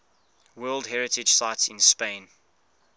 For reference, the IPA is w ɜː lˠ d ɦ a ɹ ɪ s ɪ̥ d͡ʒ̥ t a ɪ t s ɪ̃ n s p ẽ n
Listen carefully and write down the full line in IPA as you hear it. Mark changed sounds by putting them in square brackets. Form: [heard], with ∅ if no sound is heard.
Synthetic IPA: w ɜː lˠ d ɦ [ɛ] ɹ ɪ [t] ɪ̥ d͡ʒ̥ [s] a ɪ t s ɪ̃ n s p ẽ n